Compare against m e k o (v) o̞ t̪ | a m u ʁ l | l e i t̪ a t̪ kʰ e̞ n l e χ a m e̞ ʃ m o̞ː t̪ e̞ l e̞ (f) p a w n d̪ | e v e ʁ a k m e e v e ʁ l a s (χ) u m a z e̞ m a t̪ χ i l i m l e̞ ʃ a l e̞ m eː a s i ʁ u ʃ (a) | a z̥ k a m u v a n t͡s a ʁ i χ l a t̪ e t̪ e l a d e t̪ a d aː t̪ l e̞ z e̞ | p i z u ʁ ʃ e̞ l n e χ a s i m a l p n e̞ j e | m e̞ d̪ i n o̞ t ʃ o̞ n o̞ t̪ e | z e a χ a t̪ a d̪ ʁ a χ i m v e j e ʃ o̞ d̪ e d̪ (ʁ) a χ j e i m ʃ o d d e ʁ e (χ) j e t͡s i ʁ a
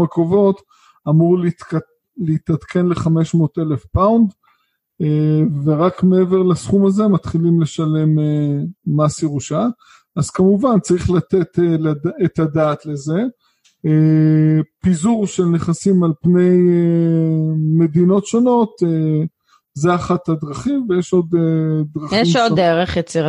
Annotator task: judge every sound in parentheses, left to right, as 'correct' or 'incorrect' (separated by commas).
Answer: correct, correct, correct, correct, correct, correct